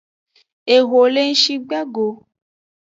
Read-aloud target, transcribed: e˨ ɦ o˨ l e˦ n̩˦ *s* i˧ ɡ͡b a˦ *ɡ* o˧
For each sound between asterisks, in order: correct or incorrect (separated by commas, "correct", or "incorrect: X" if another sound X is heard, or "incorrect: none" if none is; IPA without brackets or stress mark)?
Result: incorrect: ʃ, correct